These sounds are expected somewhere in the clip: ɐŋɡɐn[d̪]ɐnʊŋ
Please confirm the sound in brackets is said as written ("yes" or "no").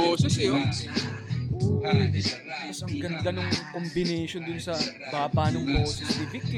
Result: yes